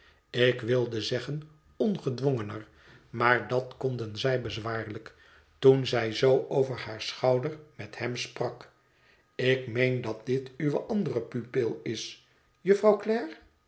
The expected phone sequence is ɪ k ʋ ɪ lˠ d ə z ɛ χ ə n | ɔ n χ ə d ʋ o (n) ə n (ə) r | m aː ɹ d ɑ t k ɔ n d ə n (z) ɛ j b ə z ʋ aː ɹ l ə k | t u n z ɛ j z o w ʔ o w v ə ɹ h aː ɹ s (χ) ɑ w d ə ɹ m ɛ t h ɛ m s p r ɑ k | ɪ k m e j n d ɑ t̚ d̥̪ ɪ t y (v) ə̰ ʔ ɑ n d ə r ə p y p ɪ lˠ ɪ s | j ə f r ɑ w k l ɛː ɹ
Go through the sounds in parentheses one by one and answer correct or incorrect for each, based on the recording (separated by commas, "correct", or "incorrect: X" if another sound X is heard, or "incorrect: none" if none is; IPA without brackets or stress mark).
incorrect: ŋ, correct, correct, correct, incorrect: ʋ